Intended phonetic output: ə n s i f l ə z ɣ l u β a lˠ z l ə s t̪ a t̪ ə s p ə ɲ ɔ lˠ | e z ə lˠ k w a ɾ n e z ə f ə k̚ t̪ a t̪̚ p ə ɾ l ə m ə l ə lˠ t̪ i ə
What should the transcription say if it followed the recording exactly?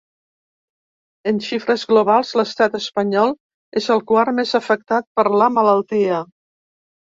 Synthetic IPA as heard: ə n ʃ i f ɾ ə z ɣ l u β a lˠ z l ə s t̪ a t̪ ə s p ə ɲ ɔ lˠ | e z ə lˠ k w a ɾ m e z ə f ə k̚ t̪ a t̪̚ p ə ɾ l ə m ə l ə lˠ t̪ i ə